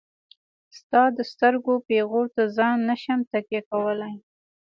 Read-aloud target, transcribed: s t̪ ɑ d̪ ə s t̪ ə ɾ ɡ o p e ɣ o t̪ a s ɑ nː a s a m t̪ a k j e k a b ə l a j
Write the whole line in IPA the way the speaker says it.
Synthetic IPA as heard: s t̪ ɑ d̪ ə s t̪ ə ɾ ɡ o p e ɣ o t̪ a z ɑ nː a ʃ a m t̪ a k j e k a w ə l a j